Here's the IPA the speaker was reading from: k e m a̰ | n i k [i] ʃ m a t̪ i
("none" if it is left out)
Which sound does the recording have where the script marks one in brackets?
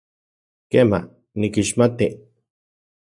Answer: i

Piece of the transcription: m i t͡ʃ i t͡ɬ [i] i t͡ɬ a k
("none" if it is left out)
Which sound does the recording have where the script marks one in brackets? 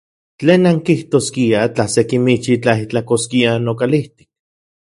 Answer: a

